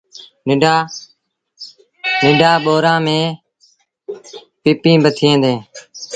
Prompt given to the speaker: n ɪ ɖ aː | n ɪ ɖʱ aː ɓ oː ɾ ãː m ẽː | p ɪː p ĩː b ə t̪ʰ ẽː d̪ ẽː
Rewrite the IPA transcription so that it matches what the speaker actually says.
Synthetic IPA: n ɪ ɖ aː | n ɪ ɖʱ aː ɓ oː ɾ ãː m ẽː | p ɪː p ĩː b ə t̪ʰ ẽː d̪ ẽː